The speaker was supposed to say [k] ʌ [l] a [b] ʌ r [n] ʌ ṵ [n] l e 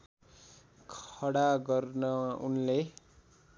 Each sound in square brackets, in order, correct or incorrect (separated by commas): incorrect, incorrect, incorrect, correct, correct